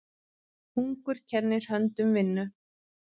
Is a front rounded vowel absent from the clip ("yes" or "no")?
no